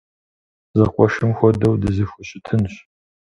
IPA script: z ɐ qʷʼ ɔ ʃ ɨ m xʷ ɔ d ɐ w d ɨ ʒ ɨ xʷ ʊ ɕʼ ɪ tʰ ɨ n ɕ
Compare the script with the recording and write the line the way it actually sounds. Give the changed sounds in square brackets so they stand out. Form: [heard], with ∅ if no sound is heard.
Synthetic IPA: z ɐ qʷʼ ɔ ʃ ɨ m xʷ ɔ d ɐ w d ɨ [z] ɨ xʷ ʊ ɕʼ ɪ tʰ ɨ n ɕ